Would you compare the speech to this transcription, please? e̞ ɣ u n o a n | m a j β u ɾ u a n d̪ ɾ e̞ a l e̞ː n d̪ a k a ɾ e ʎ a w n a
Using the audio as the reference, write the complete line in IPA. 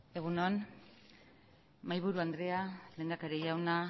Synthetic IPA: e̞ ɣ u n o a n | m a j β u ɾ u a n d̪ ɾ e̞ a l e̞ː n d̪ a k a ɾ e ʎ a w n a